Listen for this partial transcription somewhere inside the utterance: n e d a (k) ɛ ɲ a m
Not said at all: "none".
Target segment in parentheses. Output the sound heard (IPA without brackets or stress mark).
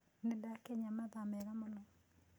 k